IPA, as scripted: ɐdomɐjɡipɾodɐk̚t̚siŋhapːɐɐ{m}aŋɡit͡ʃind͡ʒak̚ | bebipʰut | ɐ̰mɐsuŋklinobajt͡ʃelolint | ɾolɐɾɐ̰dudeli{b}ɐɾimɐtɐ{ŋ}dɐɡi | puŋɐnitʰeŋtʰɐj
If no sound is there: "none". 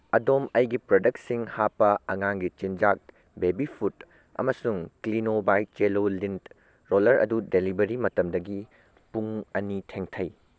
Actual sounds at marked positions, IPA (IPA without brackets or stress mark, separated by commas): ŋ, b, m